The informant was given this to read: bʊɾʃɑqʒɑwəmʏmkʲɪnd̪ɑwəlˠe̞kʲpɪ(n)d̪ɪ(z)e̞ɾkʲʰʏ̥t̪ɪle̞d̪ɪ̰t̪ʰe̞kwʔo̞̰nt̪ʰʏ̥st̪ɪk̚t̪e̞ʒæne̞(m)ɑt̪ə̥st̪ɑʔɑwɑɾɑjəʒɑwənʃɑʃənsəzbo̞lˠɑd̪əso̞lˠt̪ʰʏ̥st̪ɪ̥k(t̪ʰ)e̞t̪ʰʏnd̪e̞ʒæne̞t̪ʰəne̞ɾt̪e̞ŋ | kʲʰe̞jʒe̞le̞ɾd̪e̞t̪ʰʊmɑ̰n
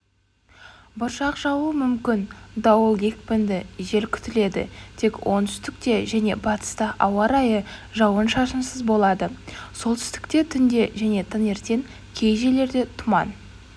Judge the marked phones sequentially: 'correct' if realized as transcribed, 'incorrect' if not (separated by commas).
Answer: correct, incorrect, incorrect, incorrect